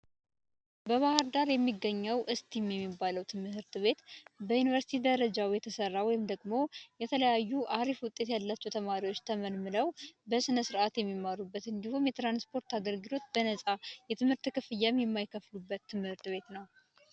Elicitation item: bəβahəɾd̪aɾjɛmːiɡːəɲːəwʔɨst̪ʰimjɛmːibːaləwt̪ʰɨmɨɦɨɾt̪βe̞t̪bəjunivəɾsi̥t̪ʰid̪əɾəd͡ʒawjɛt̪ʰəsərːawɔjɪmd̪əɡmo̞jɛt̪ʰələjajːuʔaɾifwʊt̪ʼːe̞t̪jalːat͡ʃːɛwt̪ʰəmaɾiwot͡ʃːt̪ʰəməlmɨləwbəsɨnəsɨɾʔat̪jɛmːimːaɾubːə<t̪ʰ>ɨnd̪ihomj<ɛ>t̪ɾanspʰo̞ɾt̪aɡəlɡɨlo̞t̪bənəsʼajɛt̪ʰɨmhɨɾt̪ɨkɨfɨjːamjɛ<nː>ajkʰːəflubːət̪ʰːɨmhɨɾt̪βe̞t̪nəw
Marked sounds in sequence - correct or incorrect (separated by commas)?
incorrect, correct, incorrect